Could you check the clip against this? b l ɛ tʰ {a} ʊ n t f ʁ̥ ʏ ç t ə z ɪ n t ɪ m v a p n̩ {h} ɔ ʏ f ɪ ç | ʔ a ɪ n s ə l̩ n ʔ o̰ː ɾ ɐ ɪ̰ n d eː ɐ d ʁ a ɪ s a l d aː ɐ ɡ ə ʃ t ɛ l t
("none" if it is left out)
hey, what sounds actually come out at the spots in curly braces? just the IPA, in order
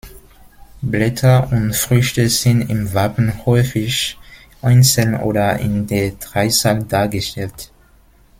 ɐ, h

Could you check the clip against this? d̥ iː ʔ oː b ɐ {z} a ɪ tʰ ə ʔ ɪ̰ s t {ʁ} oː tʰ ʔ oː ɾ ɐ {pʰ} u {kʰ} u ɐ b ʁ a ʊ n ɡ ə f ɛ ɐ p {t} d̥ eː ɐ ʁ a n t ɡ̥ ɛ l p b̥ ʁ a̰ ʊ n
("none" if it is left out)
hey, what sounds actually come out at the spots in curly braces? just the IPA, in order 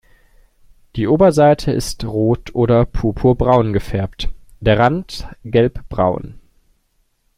z, ʁ, pʰ, pʰ, t

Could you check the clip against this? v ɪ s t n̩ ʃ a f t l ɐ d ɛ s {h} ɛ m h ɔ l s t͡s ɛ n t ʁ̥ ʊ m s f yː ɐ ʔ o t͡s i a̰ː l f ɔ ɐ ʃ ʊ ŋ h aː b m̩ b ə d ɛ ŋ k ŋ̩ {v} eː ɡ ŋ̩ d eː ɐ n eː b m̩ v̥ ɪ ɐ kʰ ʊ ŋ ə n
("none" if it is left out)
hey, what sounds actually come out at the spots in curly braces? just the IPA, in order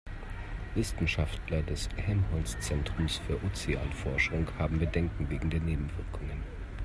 h, v

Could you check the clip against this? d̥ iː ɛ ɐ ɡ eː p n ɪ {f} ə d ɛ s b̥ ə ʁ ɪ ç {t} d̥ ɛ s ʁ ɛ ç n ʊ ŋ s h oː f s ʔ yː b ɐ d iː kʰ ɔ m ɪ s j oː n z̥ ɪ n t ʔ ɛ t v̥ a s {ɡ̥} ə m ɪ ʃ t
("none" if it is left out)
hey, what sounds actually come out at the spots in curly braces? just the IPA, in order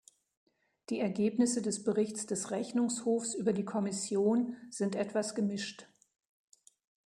s, t͡s, ɡ̥

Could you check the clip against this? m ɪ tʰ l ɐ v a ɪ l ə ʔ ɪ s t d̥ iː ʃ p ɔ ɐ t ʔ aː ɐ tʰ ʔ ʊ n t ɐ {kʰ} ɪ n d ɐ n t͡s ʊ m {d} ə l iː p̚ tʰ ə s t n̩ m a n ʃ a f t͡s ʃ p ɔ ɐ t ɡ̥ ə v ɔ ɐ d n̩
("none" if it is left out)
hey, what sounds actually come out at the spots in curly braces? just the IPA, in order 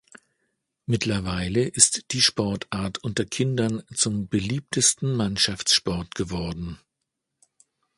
kʰ, b

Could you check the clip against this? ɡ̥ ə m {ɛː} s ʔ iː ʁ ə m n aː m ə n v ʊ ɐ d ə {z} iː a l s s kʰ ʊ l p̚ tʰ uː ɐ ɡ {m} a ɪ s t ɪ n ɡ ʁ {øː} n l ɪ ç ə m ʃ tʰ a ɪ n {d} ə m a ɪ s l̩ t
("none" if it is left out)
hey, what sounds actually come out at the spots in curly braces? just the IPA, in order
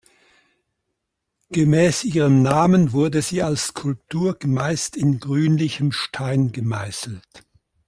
ɛː, z, m, yː, ɡ

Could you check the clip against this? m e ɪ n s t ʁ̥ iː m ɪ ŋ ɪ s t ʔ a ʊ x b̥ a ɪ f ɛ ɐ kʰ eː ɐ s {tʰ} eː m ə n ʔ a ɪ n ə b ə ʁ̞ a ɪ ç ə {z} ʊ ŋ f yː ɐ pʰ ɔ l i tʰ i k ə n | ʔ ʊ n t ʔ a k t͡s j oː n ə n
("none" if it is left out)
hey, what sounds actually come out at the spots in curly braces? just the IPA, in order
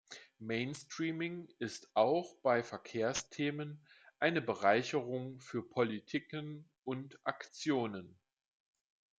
tʰ, ʁ

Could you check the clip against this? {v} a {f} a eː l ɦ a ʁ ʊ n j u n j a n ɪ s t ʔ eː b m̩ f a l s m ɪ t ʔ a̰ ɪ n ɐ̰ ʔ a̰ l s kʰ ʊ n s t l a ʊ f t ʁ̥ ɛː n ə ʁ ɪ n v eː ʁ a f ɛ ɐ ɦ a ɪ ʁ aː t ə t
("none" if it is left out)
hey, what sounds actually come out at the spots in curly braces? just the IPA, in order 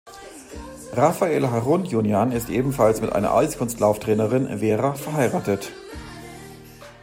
ʁ, f

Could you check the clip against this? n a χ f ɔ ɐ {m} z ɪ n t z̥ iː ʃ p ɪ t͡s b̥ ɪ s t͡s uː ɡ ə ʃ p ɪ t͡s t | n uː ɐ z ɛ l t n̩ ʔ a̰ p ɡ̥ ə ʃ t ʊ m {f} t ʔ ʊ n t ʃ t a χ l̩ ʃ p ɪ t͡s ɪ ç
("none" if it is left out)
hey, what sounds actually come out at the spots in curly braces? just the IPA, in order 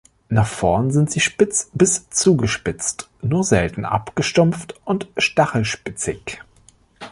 n, f

